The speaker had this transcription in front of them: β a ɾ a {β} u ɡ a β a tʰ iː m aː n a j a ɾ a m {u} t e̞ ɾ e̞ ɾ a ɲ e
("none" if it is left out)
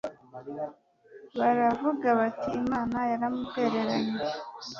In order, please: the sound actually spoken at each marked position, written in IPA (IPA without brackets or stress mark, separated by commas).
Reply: v, u